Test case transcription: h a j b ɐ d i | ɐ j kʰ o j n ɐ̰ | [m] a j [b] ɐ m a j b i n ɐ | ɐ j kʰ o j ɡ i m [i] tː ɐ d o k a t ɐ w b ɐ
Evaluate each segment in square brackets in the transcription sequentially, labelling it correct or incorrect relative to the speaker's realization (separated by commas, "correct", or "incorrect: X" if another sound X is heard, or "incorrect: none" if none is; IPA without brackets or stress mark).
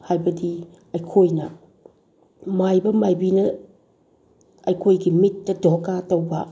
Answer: correct, correct, correct